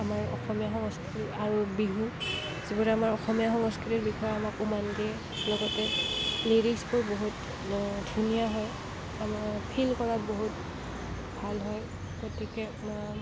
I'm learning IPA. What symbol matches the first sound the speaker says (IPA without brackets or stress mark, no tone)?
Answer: a